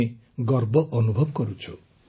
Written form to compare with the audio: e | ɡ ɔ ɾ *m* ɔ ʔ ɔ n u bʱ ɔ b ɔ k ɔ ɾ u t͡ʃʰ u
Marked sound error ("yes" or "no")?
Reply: yes